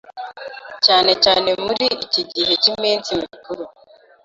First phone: c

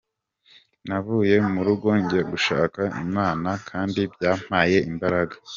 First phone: n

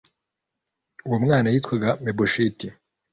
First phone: u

